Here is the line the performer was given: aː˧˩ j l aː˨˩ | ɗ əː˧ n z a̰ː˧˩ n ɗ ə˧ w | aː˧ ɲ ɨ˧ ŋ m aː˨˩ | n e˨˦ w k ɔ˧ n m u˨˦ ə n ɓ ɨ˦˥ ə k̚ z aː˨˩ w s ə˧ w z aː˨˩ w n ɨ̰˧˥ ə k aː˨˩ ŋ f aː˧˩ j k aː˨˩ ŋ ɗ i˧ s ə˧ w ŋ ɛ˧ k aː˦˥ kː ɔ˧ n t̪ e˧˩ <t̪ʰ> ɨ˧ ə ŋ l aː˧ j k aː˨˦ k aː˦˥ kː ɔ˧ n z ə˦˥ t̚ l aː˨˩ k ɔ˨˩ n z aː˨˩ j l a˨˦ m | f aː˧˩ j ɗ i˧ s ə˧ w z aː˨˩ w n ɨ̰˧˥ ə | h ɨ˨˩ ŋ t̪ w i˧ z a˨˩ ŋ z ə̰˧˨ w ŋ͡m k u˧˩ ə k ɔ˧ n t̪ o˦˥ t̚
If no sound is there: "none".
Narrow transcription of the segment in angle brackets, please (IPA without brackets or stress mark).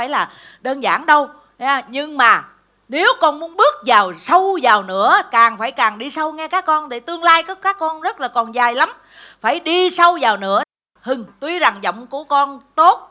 t̪